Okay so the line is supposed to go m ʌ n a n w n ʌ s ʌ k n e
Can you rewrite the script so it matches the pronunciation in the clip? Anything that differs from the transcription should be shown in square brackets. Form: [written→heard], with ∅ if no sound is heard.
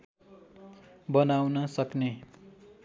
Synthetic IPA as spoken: [m→b] ʌ n a [n→∅] w n ʌ s ʌ k n e